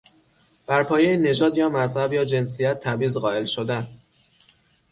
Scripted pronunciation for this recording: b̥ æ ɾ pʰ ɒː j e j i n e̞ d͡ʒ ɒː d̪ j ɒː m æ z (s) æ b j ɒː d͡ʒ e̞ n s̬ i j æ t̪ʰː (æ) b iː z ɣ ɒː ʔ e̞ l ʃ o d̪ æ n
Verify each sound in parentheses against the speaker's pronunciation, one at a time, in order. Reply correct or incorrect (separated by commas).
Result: incorrect, correct